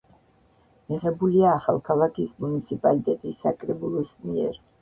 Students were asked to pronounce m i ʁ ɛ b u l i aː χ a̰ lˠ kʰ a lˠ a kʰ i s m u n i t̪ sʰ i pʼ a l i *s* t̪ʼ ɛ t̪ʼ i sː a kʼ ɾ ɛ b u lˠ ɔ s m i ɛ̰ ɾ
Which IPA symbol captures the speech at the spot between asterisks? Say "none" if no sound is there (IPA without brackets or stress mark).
none